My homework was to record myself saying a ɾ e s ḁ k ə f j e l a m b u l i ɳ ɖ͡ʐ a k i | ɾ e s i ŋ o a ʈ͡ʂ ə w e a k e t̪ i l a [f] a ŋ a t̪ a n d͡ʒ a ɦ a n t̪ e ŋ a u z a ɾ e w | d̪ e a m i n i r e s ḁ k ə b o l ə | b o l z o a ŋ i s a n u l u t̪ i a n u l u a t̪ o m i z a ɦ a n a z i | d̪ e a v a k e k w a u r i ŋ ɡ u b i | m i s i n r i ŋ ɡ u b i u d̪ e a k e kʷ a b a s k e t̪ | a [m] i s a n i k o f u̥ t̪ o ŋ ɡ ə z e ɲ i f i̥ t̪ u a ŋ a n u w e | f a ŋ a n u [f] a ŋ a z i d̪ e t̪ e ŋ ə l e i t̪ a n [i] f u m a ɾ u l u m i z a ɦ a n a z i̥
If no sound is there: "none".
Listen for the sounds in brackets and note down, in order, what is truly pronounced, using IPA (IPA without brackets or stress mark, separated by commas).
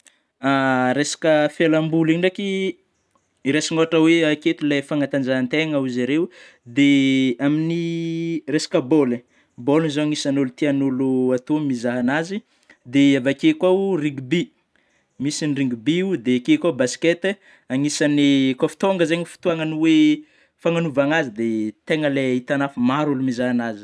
f, ŋ, v, a